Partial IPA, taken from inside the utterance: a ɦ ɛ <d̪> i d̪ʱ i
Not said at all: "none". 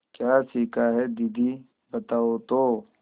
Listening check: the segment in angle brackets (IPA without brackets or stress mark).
d̪